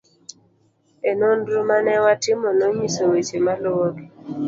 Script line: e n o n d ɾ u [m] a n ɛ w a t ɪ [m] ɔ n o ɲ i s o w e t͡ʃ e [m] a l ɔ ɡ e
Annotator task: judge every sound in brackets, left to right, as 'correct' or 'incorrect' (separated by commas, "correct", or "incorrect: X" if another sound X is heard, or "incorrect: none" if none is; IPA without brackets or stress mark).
correct, correct, correct